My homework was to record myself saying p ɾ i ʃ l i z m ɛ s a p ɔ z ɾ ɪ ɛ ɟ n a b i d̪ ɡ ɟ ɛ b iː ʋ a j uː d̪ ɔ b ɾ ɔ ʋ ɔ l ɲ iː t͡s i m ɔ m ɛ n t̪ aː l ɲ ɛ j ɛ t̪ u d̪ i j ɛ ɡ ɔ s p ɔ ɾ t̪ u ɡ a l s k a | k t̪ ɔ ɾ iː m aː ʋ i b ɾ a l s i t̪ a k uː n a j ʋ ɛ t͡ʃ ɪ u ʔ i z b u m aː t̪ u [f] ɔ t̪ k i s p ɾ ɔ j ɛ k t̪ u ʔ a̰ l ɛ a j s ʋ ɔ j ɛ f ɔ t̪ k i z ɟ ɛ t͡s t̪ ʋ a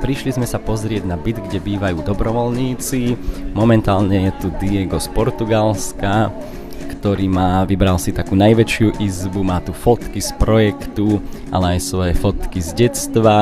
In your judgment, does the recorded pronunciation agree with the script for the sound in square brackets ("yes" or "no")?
yes